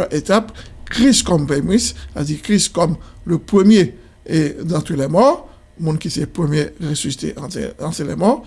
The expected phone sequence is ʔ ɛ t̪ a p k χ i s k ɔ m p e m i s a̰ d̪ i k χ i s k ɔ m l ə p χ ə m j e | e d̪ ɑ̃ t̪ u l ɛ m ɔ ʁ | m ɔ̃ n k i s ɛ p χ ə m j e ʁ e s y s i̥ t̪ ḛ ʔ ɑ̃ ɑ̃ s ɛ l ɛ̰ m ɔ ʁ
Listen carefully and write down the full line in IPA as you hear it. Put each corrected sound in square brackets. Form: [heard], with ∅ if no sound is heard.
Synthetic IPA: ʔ [e] t̪ a p k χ i s k ɔ m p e m i s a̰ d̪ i k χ i s k ɔ m l ə p χ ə m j e | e d̪ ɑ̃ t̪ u l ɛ m ɔ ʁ | m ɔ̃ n k i s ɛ p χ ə m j e ʁ e s y s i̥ t̪ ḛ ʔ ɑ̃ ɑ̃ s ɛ l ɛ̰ m ɔ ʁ